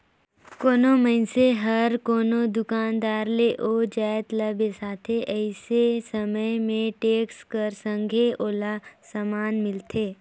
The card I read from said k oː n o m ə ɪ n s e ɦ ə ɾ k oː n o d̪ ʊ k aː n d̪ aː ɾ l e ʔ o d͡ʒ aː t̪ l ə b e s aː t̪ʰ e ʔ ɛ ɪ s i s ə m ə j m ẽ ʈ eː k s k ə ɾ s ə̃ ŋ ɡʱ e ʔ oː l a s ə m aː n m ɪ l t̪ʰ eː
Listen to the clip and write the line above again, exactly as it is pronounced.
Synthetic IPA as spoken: k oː n o m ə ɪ n s e ɦ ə ɾ k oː n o d̪ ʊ k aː n d̪ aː ɾ l e ʔ o d͡ʒ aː t̪ l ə b e s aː t̪ʰ e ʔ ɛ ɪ s e s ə m ə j m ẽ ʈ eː k s k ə ɾ s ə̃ ŋ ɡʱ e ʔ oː l a s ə m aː n m ɪ l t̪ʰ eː